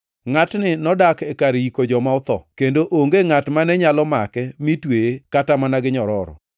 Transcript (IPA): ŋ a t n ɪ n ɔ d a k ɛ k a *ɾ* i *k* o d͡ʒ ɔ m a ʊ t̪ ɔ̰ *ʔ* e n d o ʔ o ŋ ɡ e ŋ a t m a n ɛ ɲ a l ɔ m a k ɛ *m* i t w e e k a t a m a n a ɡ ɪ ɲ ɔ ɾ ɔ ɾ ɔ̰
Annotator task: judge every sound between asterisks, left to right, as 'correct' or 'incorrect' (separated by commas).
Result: correct, correct, incorrect, correct